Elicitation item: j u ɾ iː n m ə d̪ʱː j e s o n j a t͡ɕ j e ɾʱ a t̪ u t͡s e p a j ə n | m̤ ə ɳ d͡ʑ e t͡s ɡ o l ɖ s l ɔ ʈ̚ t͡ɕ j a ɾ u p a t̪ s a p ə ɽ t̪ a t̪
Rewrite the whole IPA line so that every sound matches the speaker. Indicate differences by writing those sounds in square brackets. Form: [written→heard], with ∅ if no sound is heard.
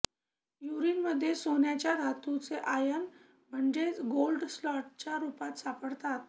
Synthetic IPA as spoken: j u ɾ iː n m ə d̪ʱː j e s o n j a t͡ɕ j [e→a] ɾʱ a t̪ u t͡s e [p→ʔ] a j ə n | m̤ ə ɳ d͡ʑ e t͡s ɡ o l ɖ s l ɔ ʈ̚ t͡ɕ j a ɾ u p a t̪ s a p ə ɽ t̪ a t̪